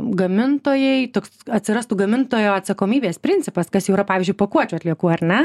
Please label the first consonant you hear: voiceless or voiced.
voiced